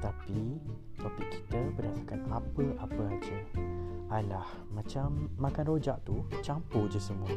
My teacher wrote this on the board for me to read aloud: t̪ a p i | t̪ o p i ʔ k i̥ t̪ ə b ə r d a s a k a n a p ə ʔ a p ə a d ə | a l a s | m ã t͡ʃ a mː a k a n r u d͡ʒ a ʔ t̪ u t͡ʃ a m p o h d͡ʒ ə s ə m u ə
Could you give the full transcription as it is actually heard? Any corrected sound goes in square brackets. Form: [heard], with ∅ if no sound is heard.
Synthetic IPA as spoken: t̪ a p i | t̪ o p i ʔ k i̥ t̪ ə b ə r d a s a k a n a p ə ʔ a p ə a [d͡ʒ] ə | a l a [h] | m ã t͡ʃ a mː a k a n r [o] d͡ʒ a ʔ t̪ u t͡ʃ a m p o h d͡ʒ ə s ə m u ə